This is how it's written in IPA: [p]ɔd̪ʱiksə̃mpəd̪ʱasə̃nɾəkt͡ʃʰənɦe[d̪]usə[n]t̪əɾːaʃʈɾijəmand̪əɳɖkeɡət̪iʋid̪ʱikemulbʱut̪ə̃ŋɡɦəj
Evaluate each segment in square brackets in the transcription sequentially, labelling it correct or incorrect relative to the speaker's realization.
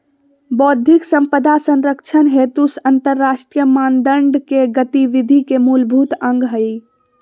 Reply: incorrect: b, incorrect: t̪, correct

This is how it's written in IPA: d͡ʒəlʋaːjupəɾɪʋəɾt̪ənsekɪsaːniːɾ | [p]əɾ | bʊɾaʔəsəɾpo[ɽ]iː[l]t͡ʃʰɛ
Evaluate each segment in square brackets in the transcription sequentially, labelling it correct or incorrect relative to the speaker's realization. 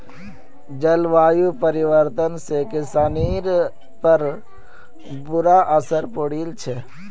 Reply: correct, correct, correct

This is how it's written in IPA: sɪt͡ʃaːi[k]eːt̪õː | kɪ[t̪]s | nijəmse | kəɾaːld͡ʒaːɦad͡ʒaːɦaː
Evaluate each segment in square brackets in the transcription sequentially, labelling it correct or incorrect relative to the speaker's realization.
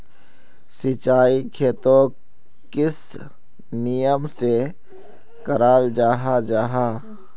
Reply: incorrect: kʰ, incorrect: none

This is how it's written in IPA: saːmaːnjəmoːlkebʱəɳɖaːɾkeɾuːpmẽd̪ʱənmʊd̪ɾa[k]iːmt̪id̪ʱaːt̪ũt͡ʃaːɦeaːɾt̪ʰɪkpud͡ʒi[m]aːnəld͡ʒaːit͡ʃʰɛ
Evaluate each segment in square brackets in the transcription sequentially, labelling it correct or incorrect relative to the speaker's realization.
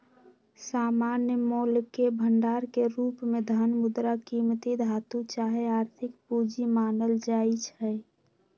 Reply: correct, correct

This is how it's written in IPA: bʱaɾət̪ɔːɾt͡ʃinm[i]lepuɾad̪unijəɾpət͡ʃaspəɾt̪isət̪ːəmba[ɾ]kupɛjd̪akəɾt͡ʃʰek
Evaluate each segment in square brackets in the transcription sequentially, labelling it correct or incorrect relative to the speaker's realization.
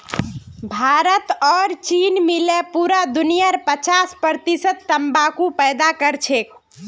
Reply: correct, incorrect: none

